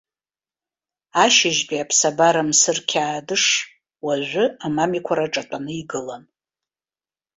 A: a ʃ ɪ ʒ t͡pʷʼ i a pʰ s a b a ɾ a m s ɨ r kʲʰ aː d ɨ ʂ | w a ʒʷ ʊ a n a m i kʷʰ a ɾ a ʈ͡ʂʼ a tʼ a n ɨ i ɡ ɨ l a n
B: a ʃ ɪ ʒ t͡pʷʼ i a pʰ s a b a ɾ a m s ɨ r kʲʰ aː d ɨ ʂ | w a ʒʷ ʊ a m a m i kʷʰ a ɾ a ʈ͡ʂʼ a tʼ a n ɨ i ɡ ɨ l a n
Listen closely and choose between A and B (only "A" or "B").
B